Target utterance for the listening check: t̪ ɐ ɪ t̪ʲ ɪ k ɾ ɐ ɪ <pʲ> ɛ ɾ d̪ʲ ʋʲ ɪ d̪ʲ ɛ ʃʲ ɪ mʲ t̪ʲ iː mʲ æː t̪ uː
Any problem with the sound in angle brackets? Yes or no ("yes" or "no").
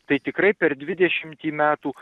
no